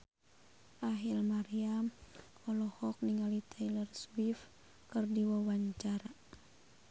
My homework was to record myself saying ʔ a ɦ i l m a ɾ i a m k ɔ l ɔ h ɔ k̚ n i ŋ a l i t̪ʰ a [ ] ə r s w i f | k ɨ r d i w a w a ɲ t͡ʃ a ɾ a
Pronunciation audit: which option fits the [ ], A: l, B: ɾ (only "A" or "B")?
A